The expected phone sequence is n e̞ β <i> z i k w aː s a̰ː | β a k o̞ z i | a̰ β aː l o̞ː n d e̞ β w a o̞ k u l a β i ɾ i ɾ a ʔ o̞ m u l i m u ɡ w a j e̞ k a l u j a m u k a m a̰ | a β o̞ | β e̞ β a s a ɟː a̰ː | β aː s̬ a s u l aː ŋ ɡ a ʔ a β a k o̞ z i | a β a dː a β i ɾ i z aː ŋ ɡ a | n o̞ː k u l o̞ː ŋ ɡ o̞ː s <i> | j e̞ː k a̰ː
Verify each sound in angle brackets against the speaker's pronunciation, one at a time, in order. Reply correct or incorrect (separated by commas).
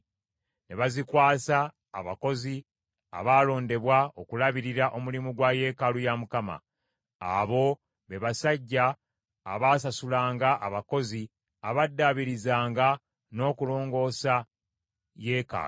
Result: incorrect, incorrect